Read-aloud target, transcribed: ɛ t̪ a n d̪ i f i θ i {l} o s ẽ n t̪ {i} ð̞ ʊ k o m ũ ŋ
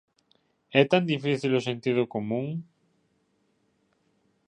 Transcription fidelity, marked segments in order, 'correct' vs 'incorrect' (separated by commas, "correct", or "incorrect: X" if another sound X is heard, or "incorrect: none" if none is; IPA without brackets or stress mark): correct, correct